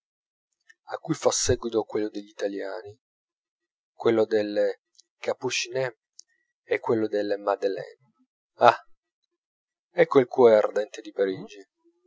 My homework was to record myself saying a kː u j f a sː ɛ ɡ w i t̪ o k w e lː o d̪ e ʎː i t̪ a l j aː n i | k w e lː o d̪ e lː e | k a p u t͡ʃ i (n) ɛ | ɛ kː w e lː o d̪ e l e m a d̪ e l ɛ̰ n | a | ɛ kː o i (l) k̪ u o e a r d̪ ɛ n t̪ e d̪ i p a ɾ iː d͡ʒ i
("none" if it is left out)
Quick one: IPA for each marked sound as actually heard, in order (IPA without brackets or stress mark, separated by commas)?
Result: n, l